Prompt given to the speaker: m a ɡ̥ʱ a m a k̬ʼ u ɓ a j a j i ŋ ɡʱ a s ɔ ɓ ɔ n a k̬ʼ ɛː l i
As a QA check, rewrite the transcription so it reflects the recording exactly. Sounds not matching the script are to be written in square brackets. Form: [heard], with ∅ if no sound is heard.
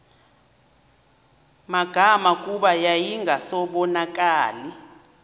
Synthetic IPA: m a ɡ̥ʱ a m a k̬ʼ u ɓ a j a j i ŋ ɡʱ a s ɔ ɓ ɔ n a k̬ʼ [aː] l i

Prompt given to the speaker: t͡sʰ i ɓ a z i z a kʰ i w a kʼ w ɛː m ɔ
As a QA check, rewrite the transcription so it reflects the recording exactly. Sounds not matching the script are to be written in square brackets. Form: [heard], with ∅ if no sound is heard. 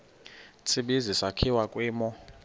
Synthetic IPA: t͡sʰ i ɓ [i] z i [s] a kʰ i w a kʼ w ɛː m ɔ

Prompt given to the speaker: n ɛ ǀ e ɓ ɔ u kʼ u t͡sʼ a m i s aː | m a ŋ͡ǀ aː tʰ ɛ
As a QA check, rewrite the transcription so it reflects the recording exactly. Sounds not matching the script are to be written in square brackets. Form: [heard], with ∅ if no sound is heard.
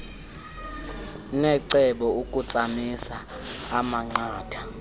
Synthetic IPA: n ɛ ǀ [ɛ] ɓ ɔ u kʼ u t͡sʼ a m i s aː | m a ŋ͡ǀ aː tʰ [a]

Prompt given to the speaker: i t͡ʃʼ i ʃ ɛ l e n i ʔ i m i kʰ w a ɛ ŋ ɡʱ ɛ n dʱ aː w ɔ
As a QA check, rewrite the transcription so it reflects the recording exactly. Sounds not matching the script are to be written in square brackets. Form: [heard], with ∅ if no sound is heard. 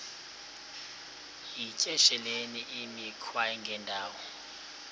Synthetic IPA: i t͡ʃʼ [ɛ] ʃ ɛ l e n i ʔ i m i kʰ w a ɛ ŋ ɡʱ ɛ n dʱ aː w ɔ

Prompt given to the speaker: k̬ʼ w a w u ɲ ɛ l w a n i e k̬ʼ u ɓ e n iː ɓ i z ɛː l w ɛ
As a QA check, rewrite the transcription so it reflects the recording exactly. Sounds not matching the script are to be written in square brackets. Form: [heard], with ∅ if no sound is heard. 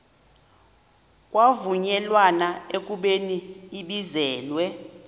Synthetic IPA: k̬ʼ w a [v] u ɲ ɛ l w a n [a] e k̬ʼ u ɓ e n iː ɓ i z ɛː l w ɛ

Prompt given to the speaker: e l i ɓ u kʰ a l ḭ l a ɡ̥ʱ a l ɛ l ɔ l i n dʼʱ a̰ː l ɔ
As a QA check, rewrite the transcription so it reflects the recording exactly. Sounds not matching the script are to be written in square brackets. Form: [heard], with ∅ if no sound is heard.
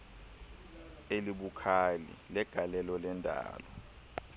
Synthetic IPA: e l i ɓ u kʰ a l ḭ l [ɛ] ɡ̥ʱ a l ɛ l ɔ l [ɛ] n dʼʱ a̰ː l ɔ

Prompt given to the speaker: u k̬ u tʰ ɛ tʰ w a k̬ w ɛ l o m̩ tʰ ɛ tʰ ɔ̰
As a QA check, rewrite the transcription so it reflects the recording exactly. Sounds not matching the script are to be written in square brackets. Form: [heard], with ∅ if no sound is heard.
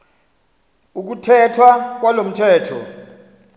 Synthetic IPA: u k̬ u tʰ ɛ tʰ w a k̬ w [a] l o m̩ tʰ [ɛː] tʰ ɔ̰

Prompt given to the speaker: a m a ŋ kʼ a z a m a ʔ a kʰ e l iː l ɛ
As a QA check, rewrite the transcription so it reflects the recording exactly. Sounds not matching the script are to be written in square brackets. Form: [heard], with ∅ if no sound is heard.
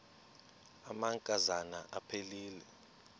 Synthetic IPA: a m a ŋ kʼ a z a [n] a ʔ a [pʰ] e l iː l ɛ

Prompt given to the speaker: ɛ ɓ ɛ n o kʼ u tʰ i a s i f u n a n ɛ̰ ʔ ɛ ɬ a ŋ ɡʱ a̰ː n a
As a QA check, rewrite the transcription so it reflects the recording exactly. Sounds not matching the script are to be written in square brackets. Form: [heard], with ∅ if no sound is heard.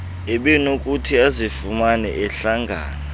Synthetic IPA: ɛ ɓ ɛ n o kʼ u tʰ i a [z] i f u [m] a n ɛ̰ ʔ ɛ ɬ a ŋ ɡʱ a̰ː n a

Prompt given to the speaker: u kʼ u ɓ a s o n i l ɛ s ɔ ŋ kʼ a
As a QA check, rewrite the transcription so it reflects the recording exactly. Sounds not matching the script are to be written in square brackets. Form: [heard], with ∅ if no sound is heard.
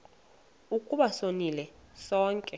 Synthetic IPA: u kʼ u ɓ a s o n i l ɛ s [ɔː] ŋ kʼ [ɛ]

